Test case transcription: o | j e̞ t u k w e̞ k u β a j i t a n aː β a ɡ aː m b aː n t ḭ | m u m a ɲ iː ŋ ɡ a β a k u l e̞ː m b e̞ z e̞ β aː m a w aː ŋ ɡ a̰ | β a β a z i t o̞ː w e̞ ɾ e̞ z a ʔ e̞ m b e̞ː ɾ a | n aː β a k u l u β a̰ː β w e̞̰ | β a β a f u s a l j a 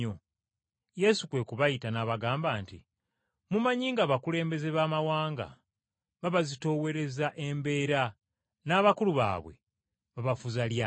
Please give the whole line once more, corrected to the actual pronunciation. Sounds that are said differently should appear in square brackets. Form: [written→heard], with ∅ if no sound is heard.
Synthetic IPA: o | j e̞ [t→s] u k w e̞ k u β a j i t a n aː β a ɡ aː m b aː n t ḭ | m u m a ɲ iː ŋ ɡ a β a k u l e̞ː m b e̞ z e̞ β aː m a w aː ŋ ɡ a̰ | β a β a z i t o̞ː w e̞ ɾ e̞ z a ʔ e̞ m b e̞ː ɾ a | n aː β a k u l u β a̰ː β w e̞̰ | β a β a f u [s→z] a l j a